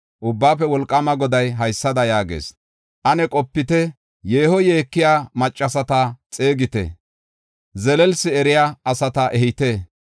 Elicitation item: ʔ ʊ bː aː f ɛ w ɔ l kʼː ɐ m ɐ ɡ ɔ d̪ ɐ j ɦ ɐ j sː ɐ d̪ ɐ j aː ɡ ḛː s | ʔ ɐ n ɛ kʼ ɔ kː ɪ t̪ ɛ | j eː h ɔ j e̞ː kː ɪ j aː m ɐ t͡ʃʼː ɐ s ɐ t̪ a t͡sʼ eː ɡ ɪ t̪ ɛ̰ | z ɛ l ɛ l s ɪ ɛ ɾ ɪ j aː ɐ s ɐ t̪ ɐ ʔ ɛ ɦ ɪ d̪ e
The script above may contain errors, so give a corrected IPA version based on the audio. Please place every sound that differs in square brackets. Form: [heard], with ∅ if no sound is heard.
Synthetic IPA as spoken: ʔ ʊ bː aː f ɛ w ɔ l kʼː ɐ m ɐ ɡ ɔ d̪ ɐ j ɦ ɐ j sː ɐ d̪ ɐ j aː ɡ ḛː s | ʔ ɐ n ɛ kʼ ɔ [pː] ɪ t̪ ɛ | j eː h ɔ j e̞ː kː ɪ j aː m ɐ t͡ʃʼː ɐ s ɐ t̪ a t͡sʼ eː ɡ ɪ t̪ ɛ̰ | z ɛ l ɛ l s ɪ ɛ ɾ ɪ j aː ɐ s ɐ t̪ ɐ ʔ ɛ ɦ ɪ [t̪] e

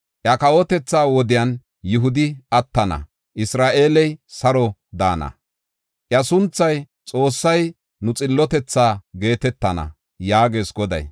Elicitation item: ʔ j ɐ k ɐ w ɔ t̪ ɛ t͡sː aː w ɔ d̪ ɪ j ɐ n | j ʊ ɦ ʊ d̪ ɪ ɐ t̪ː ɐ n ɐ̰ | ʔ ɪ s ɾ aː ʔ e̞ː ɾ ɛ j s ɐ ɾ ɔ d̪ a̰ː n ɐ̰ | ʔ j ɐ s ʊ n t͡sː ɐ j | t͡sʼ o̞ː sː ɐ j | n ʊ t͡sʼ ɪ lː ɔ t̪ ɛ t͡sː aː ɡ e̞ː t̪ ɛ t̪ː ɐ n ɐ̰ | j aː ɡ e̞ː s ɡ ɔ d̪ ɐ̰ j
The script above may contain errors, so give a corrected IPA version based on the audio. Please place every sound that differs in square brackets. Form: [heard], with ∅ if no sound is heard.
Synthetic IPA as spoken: ʔ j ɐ k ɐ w ɔ t̪ ɛ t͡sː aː w ɔ d̪ ɪ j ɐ n | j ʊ ɦ ʊ d̪ ɪ ɐ t̪ː ɐ n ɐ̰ | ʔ ɪ s ɾ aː ʔ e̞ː [l] ɛ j s ɐ ɾ ɔ d̪ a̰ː n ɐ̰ | ʔ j ɐ s ʊ n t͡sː ɐ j | t͡sʼ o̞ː sː ɐ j | n ʊ t͡sʼ ɪ lː ɔ t̪ ɛ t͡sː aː ɡ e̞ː t̪ ɛ t̪ː ɐ n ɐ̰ | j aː ɡ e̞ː s ɡ ɔ d̪ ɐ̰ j

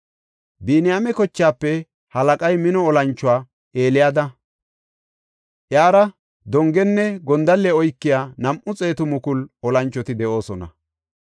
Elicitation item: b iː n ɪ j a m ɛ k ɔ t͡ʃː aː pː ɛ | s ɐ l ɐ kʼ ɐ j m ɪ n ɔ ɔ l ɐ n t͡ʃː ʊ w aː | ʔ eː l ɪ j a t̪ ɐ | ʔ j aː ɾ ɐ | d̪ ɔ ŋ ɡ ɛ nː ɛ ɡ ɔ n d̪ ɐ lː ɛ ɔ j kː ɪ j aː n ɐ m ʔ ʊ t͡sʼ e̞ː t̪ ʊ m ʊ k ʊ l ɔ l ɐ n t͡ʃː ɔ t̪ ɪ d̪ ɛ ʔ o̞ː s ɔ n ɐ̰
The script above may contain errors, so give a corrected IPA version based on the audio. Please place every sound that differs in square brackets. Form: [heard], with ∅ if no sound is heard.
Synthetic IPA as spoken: b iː n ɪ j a m ɛ k ɔ t͡ʃː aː pː ɛ | [h] ɐ l ɐ kʼ ɐ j m ɪ n ɔ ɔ l ɐ n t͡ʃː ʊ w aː | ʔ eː l ɪ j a [d̪] ɐ | ʔ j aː ɾ ɐ | d̪ ɔ ŋ ɡ ɛ nː ɛ ɡ ɔ n d̪ ɐ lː ɛ ɔ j kː ɪ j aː n ɐ m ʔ ʊ t͡sʼ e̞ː t̪ ʊ m ʊ k ʊ l ɔ l ɐ n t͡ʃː ɔ t̪ ɪ d̪ ɛ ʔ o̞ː s ɔ n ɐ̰

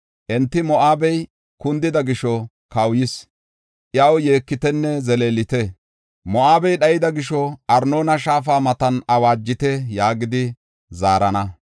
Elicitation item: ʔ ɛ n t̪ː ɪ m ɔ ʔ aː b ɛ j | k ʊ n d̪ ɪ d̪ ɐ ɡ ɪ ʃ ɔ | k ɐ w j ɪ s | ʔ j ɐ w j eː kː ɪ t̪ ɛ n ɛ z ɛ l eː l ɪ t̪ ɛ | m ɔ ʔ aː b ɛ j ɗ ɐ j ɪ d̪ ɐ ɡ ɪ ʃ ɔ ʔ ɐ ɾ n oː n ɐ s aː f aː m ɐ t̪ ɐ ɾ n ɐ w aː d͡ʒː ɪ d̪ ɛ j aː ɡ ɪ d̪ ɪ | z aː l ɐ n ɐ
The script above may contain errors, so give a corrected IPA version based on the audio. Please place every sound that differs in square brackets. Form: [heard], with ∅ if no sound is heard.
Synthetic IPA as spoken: ʔ ɛ n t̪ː ɪ m ɔ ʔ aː b ɛ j | k ʊ n d̪ ɪ d̪ ɐ ɡ ɪ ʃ ɔ | k ɐ w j ɪ s | ʔ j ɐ w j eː kː ɪ t̪ ɛ [nː] ɛ z ɛ l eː l ɪ t̪ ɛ | m ɔ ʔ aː b ɛ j ɗ ɐ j ɪ d̪ ɐ ɡ ɪ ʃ ɔ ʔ ɐ ɾ n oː n ɐ [ʃ] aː f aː m ɐ t̪ ɐ [∅] n ɐ w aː d͡ʒː ɪ [t̪] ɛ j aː ɡ ɪ d̪ ɪ | z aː [ɾ] ɐ n ɐ

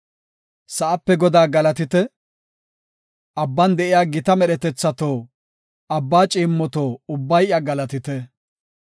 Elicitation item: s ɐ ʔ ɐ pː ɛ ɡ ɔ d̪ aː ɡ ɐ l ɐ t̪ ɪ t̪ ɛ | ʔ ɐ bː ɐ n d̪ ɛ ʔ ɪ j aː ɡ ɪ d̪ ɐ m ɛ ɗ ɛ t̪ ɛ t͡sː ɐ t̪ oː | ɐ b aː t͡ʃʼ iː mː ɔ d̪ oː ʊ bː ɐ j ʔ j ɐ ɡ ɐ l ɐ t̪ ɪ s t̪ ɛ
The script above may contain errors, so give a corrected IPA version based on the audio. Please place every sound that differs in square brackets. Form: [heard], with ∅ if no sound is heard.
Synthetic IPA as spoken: s ɐ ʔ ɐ pː ɛ ɡ ɔ d̪ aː ɡ ɐ l ɐ t̪ ɪ t̪ ɛ | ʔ ɐ bː ɐ n d̪ ɛ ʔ ɪ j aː ɡ ɪ [t̪] ɐ m ɛ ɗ ɛ t̪ ɛ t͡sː ɐ t̪ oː | ɐ [bː] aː t͡ʃʼ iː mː ɔ [t̪] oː ʊ bː ɐ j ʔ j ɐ ɡ ɐ l ɐ t̪ ɪ [∅] t̪ ɛ

